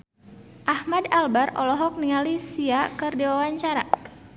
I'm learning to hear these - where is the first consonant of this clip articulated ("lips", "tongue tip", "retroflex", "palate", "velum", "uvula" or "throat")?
throat